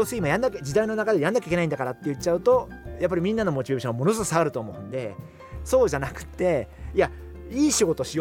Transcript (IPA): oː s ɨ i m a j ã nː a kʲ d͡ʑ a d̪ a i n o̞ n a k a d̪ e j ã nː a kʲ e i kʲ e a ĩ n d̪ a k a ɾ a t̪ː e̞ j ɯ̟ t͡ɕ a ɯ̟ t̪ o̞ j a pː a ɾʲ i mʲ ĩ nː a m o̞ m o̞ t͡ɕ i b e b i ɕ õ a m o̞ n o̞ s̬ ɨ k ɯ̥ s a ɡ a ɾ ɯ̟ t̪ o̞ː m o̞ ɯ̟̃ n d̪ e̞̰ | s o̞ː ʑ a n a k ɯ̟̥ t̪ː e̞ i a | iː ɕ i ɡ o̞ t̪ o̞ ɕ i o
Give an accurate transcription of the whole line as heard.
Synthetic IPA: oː s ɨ i m a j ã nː a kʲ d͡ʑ i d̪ a i n o̞ n a k a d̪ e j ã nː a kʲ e i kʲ e a ĩ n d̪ a k a ɾ a t̪ː e̞ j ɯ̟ t͡ɕ a ɯ̟ t̪ o̞ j a pː a ɾʲ i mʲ ĩ nː a n o̞ m o̞ t͡ɕ i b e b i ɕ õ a m o̞ n o̞ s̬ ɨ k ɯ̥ s a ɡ a ɾ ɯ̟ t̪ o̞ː m o̞ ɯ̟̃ n d̪ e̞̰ | s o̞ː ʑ a n a k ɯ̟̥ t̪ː e̞ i a | iː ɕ i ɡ o̞ t̪ o̞ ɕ i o